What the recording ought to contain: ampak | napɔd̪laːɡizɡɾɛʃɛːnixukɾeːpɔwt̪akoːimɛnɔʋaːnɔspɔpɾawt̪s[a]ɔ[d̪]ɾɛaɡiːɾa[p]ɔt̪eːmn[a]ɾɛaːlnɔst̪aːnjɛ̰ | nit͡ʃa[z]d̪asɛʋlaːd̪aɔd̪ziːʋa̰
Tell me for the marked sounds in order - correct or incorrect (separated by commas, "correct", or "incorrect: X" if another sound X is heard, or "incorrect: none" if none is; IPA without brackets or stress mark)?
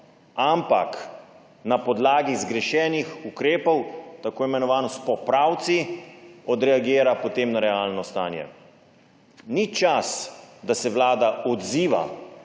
incorrect: i, correct, correct, correct, incorrect: s